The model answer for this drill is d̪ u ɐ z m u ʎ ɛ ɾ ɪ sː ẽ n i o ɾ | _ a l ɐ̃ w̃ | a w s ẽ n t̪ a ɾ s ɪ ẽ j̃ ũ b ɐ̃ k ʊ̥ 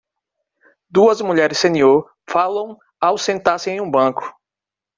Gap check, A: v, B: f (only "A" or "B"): B